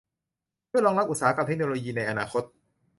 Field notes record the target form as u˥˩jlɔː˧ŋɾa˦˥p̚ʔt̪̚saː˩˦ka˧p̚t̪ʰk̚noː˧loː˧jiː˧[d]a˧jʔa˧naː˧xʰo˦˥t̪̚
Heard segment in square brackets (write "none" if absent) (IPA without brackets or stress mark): n